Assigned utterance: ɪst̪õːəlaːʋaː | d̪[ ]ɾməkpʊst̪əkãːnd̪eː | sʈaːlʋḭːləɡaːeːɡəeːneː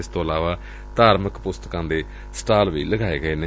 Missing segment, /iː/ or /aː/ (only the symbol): aː